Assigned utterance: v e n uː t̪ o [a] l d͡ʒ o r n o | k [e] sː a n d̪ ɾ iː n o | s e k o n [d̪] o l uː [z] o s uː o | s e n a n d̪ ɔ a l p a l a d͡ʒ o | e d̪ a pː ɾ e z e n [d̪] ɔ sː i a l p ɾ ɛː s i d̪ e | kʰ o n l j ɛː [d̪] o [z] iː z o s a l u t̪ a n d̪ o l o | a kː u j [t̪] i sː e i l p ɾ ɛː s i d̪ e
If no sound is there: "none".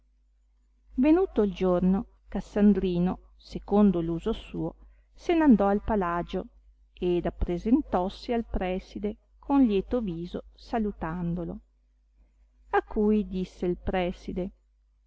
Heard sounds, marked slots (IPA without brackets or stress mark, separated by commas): i, a, d̪, z, t̪, t̪, v, d̪